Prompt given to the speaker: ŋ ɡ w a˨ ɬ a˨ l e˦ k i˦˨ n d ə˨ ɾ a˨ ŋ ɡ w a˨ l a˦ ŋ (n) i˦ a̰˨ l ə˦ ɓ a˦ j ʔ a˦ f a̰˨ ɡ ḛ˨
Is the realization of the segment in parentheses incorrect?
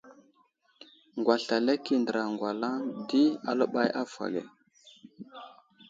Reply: yes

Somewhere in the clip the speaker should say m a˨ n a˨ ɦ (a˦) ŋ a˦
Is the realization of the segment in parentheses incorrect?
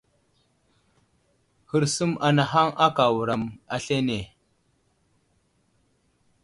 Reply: no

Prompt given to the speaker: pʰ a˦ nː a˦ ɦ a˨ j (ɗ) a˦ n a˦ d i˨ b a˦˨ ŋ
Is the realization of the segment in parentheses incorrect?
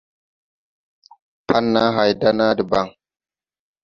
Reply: yes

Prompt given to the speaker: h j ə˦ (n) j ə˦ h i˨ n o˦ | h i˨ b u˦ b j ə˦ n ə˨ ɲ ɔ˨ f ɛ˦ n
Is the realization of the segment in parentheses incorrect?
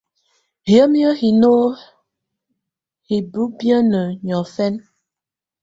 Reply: yes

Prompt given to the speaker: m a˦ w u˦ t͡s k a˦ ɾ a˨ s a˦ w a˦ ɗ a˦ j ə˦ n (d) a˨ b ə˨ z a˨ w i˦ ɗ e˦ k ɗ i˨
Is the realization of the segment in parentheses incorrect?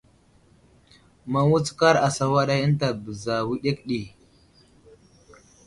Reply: yes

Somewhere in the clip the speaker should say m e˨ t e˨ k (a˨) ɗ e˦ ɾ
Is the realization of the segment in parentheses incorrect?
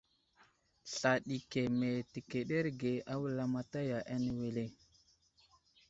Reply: yes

